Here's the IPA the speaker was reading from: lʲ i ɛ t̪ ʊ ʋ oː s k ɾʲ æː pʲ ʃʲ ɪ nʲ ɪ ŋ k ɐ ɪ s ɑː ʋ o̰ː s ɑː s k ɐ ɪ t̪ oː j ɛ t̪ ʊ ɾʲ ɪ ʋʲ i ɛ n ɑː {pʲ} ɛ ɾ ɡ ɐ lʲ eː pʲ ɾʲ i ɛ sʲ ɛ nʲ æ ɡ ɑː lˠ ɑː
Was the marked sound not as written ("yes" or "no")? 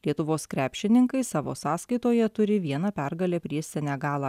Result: no